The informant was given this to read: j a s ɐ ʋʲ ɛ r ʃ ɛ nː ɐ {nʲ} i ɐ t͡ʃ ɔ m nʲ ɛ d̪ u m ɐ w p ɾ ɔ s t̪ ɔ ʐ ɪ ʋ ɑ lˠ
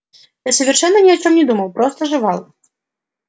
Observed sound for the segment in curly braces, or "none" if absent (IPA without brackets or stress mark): nʲ